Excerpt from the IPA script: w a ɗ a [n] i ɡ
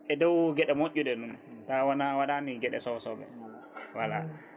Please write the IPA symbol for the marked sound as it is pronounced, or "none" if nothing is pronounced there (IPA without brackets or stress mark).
n